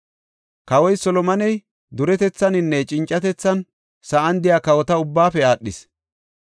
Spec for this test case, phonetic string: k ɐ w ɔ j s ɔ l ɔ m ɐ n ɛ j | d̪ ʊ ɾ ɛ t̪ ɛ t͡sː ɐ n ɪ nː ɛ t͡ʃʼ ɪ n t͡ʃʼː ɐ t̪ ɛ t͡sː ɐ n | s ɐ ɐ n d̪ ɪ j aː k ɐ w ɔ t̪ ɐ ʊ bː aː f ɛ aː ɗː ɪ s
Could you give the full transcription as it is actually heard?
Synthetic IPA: k ɐ w ɔ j s ɔ l ɔ m ɐ n ɛ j | d̪ ʊ ɾ ɛ t̪ ɛ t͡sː ɐ n ɪ nː ɛ t͡ʃʼ ɪ n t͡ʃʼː ɐ t̪ ɛ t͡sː ɐ n | s ɐ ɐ n d̪ ɪ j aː k ɐ w ɔ t̪ ɐ ʊ bː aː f ɛ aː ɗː ɪ s